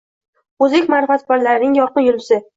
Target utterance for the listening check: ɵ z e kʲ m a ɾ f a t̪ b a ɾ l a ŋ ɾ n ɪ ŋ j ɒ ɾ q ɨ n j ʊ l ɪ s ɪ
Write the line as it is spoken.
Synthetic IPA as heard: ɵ z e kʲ m a ɾ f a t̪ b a ɾ l a ɾ n ɪ ŋ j ɒ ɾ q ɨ n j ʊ l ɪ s ɪ